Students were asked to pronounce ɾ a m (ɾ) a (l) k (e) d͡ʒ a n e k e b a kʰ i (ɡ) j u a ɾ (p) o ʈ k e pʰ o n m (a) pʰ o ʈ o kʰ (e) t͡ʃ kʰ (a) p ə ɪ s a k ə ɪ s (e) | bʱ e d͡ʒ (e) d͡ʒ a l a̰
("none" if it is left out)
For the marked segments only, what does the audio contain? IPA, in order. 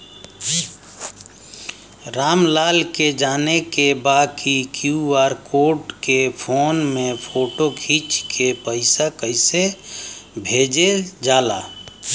l, l, e, k, k, e, i, e, e, e

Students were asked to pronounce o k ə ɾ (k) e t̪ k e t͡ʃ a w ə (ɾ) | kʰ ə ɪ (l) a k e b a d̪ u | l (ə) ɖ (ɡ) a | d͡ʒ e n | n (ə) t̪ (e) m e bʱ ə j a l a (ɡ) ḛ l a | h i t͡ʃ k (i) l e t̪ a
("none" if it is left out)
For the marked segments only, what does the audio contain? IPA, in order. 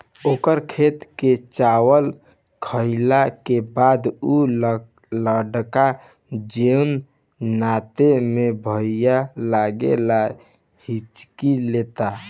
kʰ, l, l, ə, k, a, e, ɡ, i

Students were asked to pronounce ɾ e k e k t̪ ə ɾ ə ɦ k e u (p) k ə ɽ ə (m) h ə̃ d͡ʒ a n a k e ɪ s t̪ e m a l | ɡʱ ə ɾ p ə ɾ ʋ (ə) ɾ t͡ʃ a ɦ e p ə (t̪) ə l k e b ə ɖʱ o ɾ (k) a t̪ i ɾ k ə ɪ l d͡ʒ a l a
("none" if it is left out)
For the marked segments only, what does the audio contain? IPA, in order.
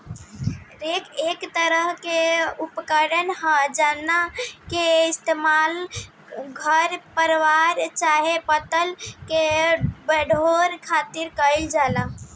p, n, a, t̪, kʰ

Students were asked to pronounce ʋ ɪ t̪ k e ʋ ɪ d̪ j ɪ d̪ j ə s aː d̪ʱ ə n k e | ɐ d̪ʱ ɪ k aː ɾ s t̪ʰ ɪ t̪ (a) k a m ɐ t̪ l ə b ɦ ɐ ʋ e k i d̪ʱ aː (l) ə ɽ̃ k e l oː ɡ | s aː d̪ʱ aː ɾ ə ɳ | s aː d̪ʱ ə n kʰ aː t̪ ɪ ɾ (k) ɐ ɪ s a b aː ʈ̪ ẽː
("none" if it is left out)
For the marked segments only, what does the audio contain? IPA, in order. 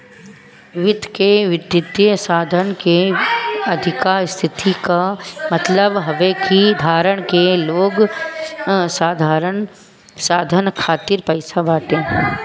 i, ɾ, p

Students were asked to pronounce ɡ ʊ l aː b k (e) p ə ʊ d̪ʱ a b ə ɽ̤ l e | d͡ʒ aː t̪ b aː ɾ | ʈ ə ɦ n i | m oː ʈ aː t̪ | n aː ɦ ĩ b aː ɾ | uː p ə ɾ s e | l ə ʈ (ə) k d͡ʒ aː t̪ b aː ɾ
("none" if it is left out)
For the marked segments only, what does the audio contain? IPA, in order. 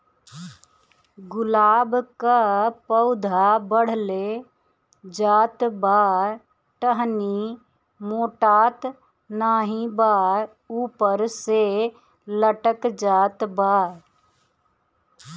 a, ə

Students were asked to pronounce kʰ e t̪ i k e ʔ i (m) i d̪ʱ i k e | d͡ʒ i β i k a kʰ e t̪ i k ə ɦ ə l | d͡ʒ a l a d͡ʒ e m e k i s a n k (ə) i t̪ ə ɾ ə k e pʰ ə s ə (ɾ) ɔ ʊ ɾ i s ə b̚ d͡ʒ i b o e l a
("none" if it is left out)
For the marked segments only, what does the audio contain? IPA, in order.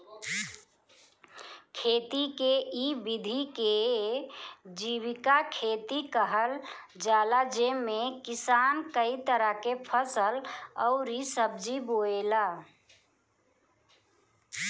b, ə, l

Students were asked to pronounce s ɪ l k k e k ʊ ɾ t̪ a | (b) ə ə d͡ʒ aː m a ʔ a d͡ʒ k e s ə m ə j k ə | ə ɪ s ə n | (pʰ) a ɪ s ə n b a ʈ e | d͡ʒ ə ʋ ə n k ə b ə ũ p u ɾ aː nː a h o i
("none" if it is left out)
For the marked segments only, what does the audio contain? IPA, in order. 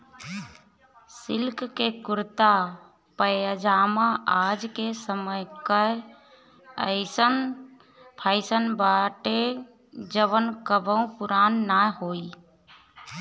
p, pʰ

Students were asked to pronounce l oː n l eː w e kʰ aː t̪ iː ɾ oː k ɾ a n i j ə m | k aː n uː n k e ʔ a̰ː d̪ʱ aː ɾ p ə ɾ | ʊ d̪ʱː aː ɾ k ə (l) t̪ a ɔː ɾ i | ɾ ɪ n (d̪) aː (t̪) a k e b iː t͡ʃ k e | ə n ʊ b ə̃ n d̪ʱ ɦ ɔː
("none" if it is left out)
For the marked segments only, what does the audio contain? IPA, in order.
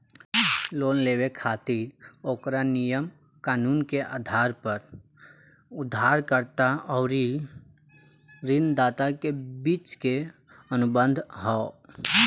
ɾ, d̪, t̪

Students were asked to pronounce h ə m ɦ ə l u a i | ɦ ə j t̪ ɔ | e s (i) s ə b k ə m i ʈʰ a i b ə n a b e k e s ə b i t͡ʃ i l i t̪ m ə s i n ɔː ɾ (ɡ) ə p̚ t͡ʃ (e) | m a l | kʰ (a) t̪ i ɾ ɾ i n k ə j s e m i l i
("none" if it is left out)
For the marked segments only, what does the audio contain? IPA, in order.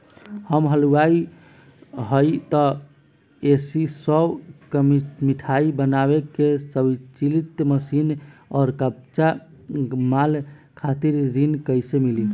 i, k, a, a

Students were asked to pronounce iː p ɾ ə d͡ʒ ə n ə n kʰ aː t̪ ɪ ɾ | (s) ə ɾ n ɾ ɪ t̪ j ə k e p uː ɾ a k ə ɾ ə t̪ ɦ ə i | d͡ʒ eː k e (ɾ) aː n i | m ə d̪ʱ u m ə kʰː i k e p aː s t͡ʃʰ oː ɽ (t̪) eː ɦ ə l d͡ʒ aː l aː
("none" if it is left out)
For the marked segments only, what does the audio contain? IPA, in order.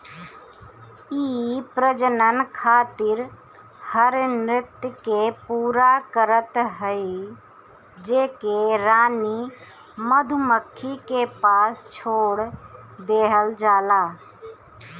h, ɾ, d̪

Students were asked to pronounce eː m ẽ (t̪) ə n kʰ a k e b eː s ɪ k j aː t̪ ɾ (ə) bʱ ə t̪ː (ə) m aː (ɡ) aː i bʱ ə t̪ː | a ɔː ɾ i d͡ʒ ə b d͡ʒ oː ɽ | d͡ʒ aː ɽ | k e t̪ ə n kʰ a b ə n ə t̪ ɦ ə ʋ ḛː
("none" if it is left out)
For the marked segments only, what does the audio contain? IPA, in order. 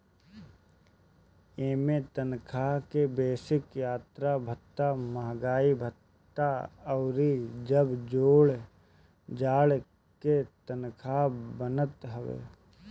t̪, a, a, ɡ

